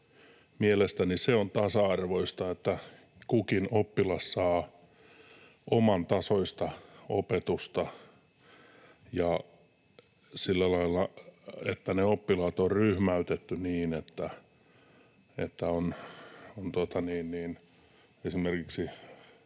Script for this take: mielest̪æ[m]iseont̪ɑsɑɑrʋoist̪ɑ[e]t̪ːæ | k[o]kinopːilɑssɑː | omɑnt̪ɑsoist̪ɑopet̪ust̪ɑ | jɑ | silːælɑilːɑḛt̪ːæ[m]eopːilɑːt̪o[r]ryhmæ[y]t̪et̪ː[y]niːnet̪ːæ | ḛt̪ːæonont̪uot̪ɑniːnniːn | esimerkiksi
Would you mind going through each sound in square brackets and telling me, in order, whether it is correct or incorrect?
incorrect, correct, incorrect, incorrect, correct, correct, correct

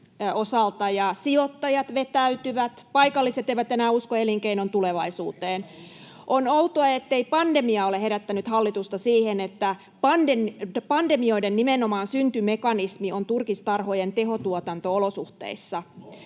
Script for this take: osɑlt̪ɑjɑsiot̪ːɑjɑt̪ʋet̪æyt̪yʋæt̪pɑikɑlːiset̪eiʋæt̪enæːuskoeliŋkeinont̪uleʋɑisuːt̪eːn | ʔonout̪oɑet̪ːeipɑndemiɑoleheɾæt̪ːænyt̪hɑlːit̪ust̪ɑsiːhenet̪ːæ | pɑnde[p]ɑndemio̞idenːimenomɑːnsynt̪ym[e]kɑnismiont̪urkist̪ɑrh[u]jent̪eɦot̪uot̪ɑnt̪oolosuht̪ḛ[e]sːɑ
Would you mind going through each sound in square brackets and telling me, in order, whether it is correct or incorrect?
correct, correct, incorrect, incorrect

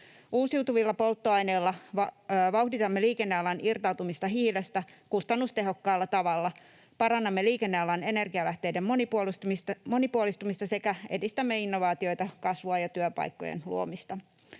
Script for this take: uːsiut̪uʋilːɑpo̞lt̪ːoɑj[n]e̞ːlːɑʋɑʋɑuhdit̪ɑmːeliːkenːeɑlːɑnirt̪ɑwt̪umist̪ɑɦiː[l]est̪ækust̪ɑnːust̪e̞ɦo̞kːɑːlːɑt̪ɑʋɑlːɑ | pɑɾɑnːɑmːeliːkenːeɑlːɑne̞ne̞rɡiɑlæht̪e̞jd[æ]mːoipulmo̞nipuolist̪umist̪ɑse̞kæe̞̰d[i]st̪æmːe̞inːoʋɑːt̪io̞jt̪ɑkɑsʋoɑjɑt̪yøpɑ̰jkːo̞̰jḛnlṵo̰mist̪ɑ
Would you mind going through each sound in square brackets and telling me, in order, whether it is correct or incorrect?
correct, correct, incorrect, correct

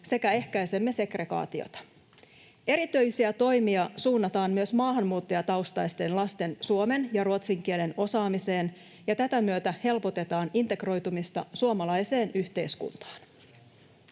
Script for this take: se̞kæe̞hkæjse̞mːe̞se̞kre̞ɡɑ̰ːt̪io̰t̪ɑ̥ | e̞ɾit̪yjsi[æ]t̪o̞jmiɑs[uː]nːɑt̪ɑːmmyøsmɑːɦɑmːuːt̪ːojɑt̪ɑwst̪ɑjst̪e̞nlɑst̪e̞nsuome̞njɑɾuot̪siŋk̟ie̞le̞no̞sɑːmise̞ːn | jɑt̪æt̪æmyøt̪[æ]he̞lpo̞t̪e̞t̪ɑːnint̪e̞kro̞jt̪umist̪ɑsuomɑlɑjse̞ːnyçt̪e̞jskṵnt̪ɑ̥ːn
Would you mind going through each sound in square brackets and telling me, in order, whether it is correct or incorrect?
correct, correct, correct

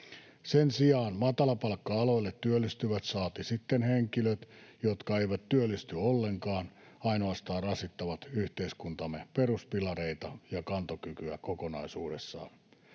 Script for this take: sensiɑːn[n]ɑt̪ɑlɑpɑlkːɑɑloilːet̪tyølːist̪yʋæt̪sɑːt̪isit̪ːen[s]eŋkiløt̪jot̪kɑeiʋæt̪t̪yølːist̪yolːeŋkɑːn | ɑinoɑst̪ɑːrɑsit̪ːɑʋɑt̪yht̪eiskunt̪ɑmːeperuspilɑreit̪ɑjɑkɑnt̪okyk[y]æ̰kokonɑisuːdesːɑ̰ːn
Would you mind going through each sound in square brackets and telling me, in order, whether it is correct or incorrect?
incorrect, incorrect, correct

